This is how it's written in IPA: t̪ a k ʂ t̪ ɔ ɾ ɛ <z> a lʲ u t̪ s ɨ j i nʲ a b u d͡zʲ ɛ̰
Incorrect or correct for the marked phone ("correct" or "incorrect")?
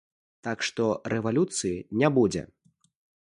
incorrect